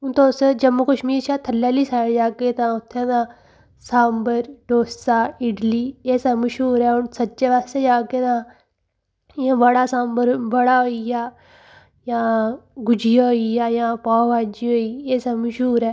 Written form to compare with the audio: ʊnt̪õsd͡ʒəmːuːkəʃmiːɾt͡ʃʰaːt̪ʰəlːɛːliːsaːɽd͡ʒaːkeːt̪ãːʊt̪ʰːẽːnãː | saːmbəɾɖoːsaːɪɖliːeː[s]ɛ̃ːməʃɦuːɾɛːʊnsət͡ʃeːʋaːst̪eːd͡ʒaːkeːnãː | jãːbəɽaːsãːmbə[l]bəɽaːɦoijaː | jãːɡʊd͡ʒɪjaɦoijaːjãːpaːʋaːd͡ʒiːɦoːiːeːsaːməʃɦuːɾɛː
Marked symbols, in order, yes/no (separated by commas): yes, no